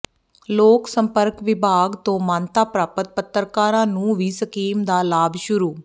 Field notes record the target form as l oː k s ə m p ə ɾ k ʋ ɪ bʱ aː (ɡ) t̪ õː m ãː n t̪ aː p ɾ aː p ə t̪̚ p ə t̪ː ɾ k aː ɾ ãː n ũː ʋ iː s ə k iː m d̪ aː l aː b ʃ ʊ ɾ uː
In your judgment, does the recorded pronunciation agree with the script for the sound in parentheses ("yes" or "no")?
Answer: yes